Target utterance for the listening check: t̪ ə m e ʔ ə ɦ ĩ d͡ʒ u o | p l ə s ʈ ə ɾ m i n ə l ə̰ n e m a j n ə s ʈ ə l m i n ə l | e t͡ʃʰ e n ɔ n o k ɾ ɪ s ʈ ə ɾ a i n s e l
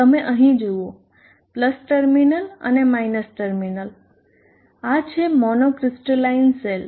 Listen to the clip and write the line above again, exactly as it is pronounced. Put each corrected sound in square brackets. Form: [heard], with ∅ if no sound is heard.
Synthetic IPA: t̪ ə m e ʔ ə ɦ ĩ d͡ʒ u o | p l ə s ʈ ə ɾ m i n ə l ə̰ n e m a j n ə s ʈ ə [ɾ] m i n ə l | [a] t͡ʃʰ e [m] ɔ n o k ɾ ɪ s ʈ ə [l] a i n s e l